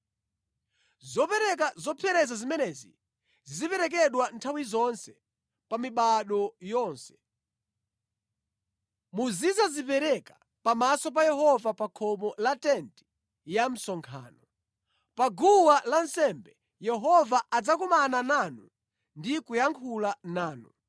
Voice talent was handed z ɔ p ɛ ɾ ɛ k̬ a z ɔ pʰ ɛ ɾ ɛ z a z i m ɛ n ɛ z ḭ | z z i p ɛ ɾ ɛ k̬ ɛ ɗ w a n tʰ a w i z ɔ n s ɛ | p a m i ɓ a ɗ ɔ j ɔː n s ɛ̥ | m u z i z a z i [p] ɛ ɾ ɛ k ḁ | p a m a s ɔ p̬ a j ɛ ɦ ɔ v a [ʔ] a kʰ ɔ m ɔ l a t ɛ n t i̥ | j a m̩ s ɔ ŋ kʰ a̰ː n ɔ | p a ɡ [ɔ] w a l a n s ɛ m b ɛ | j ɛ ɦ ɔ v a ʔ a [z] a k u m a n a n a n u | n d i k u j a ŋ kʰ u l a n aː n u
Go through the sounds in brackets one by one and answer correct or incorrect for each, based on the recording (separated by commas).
correct, incorrect, incorrect, incorrect